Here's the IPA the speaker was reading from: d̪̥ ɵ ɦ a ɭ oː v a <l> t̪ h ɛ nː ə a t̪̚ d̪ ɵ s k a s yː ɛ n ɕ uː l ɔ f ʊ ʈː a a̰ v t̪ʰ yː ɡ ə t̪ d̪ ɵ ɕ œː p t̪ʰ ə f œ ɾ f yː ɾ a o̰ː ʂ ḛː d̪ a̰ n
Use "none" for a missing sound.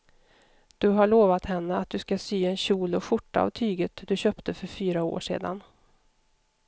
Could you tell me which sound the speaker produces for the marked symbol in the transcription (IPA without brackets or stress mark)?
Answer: none